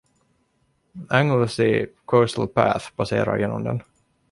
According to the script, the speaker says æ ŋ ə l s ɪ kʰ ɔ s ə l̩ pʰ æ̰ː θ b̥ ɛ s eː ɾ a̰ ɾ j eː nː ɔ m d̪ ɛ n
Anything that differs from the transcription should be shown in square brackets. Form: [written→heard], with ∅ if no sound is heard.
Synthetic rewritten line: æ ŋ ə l s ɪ kʰ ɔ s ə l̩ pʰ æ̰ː θ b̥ [ɛ→a] s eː ɾ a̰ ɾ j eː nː ɔ m d̪ ɛ n